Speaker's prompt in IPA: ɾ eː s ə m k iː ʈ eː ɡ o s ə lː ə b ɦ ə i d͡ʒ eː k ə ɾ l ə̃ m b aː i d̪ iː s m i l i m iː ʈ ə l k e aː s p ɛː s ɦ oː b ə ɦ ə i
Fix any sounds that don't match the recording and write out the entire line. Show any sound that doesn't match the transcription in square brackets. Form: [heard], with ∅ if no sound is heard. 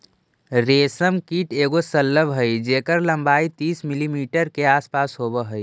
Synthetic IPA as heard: ɾ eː s ə m k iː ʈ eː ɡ o s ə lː ə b ɦ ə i d͡ʒ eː k ə ɾ l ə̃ m b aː i [t̪] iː s m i l i m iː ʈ ə [ɾ] k e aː s p [aː] s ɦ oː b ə ɦ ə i